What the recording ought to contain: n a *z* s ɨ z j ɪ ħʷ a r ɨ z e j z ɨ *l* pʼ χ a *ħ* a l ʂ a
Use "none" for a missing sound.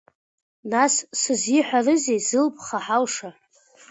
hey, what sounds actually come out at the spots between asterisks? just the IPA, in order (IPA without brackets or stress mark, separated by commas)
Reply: s, l, ħ